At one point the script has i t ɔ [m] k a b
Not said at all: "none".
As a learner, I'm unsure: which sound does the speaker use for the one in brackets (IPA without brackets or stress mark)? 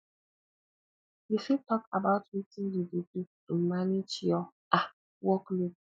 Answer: none